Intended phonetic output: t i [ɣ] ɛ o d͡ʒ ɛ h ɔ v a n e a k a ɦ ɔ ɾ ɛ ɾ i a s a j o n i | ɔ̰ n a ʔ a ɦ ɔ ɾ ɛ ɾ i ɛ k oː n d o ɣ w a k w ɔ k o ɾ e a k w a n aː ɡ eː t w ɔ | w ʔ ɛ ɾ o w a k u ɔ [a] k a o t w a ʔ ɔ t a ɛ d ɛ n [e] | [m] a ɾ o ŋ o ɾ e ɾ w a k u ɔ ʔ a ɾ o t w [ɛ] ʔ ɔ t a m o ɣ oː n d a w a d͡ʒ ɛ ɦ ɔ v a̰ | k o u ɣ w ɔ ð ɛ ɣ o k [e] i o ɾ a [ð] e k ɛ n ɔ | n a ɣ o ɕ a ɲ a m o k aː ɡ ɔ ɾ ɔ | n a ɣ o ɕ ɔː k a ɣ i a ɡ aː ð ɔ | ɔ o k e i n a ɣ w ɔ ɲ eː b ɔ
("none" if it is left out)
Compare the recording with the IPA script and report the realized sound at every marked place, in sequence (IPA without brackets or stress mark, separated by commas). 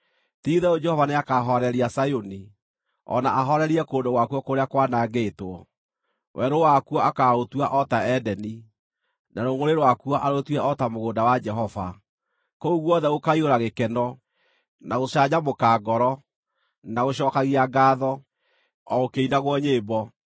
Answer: ð, a, i, n, ɛ, a, ɣ